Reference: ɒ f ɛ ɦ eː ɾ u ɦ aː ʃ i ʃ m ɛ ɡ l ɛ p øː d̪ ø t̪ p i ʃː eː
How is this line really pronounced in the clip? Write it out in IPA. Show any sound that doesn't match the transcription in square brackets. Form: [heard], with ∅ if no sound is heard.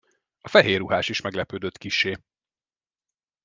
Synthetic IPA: ɒ f ɛ ɦ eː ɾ u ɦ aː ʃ i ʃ m ɛ ɡ l ɛ p øː d̪ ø t̪ [k] i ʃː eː